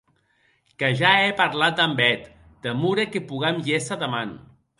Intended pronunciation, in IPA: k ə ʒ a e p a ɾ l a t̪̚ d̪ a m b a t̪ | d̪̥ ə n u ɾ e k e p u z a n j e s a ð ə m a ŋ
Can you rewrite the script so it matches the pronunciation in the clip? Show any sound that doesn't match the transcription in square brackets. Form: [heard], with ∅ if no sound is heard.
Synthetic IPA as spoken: k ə ʒ a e p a ɾ l a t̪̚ d̪ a m b [ɛ] t̪ | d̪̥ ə [m] u ɾ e k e p u [ɣ] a [m] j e s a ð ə m a [n]